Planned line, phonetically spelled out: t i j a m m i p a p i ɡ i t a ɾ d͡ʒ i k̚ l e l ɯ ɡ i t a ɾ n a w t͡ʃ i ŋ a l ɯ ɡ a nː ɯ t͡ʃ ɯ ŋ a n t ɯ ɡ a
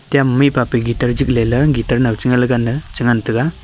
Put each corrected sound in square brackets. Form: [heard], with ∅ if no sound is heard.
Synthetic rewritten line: t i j a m m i p a p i ɡ i t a ɾ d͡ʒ i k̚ l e l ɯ ɡ i t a ɾ n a w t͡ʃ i ŋ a l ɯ ɡ a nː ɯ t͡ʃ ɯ ŋ a n t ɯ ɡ a